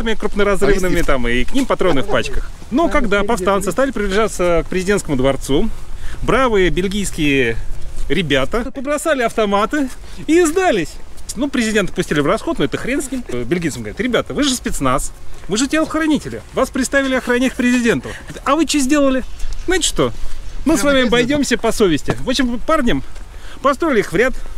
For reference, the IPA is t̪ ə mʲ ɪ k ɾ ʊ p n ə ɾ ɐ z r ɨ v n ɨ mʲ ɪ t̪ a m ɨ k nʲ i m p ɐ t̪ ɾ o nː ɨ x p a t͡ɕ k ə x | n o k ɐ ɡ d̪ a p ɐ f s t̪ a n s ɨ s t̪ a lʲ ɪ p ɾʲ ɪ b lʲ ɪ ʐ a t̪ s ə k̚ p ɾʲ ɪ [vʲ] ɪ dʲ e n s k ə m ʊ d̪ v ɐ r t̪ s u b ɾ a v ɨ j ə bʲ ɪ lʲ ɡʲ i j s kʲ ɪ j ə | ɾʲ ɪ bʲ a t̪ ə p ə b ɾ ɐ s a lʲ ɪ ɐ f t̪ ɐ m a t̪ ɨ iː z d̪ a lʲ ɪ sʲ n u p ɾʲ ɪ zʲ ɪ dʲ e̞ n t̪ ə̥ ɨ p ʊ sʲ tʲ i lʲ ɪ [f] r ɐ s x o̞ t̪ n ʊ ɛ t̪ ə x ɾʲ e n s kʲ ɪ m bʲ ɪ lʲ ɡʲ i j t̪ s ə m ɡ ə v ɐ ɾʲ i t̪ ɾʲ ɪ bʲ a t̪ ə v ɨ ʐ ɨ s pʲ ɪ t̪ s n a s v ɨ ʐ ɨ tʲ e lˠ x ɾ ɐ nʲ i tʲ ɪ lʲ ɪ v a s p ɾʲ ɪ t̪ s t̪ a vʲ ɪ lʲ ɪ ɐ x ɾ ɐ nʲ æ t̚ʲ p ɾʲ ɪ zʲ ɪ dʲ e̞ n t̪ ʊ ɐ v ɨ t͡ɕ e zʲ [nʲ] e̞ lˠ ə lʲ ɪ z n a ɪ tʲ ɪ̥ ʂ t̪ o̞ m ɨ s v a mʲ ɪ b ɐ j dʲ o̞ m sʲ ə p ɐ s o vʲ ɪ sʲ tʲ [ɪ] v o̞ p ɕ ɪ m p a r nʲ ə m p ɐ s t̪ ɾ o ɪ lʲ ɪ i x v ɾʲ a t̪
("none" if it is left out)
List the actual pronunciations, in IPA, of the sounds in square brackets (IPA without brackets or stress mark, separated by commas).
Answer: zʲ, v, dʲ, ɪ